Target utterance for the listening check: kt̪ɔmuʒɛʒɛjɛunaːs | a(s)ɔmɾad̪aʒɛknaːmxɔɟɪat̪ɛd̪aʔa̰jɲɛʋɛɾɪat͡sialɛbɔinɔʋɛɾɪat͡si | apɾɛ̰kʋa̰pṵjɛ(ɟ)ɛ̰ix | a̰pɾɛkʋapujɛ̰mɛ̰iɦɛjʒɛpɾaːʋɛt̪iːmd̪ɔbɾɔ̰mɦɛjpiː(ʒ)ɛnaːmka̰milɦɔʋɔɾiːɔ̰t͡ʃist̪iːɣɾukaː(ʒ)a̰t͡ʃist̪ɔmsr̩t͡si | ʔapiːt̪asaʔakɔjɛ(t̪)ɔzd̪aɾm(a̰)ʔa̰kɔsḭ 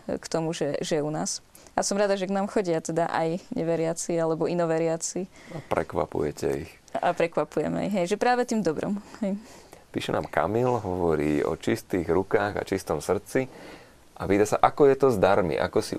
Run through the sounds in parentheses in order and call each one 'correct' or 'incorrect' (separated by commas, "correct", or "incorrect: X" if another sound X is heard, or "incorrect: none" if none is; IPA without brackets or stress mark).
correct, incorrect: c, incorrect: ʃ, incorrect: ɣ, correct, incorrect: ḭ